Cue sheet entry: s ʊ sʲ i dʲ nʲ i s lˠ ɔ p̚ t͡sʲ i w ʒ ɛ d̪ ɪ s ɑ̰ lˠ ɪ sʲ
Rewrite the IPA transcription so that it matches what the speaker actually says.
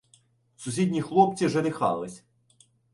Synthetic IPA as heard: s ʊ sʲ i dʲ nʲ i x lˠ ɔ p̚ t͡sʲ i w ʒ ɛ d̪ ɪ x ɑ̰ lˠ ɪ sʲ